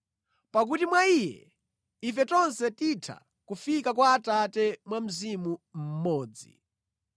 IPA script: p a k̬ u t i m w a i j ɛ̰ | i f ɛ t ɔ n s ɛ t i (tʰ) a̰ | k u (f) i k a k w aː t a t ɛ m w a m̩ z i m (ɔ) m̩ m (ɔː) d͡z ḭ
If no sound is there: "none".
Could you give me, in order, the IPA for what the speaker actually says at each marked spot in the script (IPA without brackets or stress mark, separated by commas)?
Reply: tʰ, f, u, ɔː